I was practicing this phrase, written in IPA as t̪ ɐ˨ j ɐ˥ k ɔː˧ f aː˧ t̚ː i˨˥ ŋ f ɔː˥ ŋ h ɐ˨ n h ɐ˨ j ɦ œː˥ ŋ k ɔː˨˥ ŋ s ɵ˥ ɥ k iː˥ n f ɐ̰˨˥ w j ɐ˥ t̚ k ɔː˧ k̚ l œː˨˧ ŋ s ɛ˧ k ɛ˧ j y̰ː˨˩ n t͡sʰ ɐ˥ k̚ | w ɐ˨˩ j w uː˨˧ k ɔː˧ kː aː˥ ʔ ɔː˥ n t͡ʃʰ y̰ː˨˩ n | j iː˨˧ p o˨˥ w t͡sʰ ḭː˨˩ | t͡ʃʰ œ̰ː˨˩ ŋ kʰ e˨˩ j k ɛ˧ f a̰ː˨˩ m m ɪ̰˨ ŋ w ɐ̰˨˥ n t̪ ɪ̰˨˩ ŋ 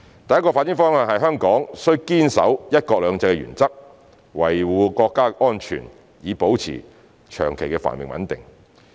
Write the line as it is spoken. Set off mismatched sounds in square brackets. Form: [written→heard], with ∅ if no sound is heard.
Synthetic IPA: t̪ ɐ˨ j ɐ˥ k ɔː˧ f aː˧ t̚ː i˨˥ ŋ f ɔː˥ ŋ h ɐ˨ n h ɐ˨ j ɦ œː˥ ŋ k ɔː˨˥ ŋ s ɵ˥ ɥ k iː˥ n [f→s] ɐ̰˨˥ w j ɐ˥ t̚ k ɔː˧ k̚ l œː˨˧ ŋ [s→t͡s] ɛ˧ k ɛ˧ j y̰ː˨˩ n [t͡sʰ→t͡s] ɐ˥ k̚ | w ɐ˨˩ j w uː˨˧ k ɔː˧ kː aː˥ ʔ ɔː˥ n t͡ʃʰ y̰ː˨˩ n | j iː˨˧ p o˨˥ w t͡sʰ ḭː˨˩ | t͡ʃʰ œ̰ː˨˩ ŋ kʰ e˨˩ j k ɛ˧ f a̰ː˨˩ [m→n] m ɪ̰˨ ŋ w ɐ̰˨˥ n t̪ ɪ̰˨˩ ŋ